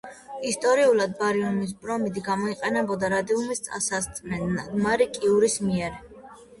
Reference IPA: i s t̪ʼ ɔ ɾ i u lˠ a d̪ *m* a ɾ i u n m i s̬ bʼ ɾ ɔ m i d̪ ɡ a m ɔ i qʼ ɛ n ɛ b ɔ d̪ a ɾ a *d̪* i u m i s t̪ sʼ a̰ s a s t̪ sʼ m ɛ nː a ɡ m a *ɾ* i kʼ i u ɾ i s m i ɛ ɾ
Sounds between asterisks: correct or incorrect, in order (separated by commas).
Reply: incorrect, correct, correct